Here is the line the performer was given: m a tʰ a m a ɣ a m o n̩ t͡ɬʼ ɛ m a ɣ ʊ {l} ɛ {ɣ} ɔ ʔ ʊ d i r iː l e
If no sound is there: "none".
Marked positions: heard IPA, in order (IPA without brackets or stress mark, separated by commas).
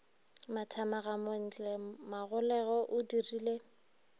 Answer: l, ɣ